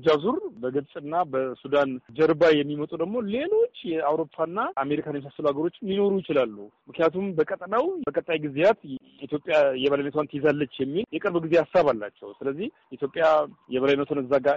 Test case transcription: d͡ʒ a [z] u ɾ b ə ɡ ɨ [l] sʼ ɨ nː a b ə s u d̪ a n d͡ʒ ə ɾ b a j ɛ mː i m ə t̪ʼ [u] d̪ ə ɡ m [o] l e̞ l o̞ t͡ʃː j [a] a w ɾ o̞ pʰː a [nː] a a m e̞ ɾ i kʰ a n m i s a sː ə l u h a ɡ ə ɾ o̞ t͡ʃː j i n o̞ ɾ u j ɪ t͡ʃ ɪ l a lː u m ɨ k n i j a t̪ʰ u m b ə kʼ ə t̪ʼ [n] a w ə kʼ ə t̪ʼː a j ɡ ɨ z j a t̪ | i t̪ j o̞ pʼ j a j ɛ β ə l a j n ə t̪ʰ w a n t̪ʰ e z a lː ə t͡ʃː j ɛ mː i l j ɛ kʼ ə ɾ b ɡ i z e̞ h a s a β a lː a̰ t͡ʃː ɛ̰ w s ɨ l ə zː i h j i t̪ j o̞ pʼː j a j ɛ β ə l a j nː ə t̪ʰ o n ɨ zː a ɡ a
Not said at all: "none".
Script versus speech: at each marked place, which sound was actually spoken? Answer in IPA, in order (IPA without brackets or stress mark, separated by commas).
z, l, u, o, ɛ, nː, n